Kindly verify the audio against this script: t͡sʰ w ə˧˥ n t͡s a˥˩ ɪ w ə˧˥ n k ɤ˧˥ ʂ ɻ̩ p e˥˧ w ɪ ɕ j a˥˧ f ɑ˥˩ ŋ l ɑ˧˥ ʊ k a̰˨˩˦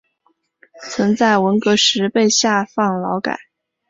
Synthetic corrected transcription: t͡sʰ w ə˧˥ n t͡s a˥˩ ɪ w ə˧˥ n k ɤ˧˥ ʂ ɻ̩ p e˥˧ ɪ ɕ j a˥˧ f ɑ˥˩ ŋ l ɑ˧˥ ʊ k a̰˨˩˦